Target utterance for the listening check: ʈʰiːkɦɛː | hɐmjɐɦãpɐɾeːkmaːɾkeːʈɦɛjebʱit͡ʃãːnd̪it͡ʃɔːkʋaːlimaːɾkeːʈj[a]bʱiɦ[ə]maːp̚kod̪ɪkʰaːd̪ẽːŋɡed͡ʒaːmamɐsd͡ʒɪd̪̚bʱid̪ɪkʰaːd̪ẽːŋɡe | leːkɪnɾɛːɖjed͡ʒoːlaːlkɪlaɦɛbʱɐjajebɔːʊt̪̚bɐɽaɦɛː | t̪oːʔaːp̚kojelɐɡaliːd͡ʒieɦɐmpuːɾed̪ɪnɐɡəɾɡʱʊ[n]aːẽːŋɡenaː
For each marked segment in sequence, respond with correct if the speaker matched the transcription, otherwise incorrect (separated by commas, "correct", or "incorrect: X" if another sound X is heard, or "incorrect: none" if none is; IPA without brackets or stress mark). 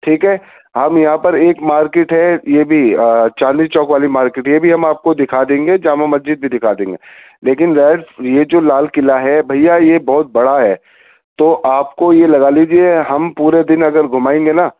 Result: incorrect: e, incorrect: ɐ, incorrect: m